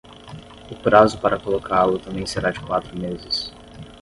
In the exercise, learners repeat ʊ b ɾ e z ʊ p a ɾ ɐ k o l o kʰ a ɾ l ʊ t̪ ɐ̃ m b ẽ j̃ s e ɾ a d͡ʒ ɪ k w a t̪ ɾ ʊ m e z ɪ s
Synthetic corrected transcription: ʊ p ɾ a z ʊ p a ɾ ɐ k o l o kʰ a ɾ l ʊ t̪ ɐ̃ m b ẽ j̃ s e ɾ a d͡ʒ ɪ k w a t̪ ɾ ʊ m e z ɪ s

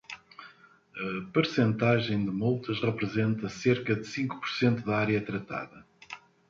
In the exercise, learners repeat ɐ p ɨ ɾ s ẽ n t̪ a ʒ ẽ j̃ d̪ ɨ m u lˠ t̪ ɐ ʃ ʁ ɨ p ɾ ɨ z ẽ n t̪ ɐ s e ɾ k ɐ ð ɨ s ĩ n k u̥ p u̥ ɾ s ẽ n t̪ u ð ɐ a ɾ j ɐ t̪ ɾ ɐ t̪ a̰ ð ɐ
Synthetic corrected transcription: ɐ p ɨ ɾ s ẽ n t̪ a ʒ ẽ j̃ d̪ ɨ m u lˠ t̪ ɐ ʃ ʁ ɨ p ɾ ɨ z ẽ n t̪ ɐ s e ɾ k ɐ ð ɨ s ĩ ŋ k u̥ p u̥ ɾ s ẽ n t̪ u ð ɐ a ɾ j ɐ t̪ ɾ ɐ t̪ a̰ ð ɐ

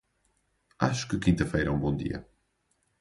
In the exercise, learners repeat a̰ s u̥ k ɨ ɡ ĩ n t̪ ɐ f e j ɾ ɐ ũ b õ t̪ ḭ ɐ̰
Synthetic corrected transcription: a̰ ʃ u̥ k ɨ k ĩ n t̪ ɐ f e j ɾ ɐ ũ b õ d̪ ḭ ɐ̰

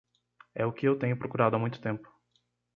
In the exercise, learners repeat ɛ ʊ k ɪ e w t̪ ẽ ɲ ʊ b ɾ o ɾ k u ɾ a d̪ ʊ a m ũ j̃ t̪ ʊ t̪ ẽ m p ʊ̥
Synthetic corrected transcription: ɛ ʊ k ɪ e w t̪ ẽ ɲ ʊ p ɾ o k u ɾ a d̪ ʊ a m ũ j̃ t̪ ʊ t̪ ẽ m p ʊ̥

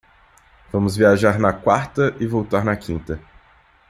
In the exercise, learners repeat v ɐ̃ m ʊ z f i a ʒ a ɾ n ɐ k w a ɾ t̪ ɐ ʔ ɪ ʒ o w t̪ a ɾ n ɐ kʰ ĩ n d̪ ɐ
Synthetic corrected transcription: v ɐ̃ m ʊ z v i a ʒ a ɾ n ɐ k w a ɾ t̪ ɐ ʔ ɪ v o w t̪ a ɾ n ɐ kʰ ĩ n t̪ ɐ

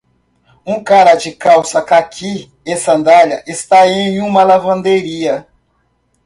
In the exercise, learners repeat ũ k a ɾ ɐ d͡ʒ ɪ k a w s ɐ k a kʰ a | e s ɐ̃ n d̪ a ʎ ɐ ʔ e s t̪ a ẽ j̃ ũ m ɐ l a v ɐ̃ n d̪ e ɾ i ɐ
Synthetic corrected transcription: ũ k a ɾ ɐ d͡ʒ ɪ k a w s ɐ k a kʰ i | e s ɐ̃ n d̪ a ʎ ɐ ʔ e s t̪ a ẽ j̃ ũ m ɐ l a v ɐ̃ n d̪ e ɾ i ɐ

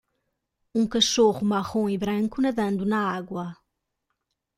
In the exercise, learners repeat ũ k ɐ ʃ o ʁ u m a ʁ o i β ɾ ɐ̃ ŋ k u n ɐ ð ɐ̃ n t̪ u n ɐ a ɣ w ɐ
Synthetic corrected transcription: ũ k ɐ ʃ o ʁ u m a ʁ õ i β ɾ ɐ̃ ŋ k u n ɐ ð ɐ̃ n d̪ u n ɐ a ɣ w ɐ

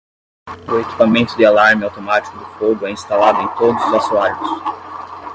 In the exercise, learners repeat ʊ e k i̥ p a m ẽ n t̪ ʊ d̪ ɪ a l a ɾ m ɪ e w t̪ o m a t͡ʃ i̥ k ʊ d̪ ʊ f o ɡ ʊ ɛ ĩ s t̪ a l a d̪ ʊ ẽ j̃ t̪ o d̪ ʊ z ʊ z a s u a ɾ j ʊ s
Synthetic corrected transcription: ʊ e k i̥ p a m ẽ n t̪ ʊ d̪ ɪ a l a ɾ m ɪ a w t̪ o m a t͡ʃ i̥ k ʊ d̪ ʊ f o ɡ ʊ ɛ ĩ s t̪ a l a d̪ ʊ ẽ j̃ t̪ o d̪ ʊ z ʊ z a s u a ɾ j ʊ s

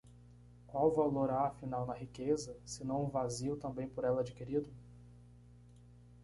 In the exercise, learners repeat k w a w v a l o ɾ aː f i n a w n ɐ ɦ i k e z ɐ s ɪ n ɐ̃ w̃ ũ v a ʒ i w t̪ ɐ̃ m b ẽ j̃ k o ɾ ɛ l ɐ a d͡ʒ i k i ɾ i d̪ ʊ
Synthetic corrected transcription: k w a w v a l o ɾ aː f i n a w n ɐ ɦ i k e z ɐ s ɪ n ɐ̃ w̃ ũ v a z i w t̪ ɐ̃ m b ẽ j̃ p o ɾ ɛ l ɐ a d͡ʒ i k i ɾ i d̪ ʊ

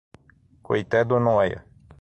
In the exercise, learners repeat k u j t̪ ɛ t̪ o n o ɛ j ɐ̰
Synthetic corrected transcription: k o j t̪ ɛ d̪ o n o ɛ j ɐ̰

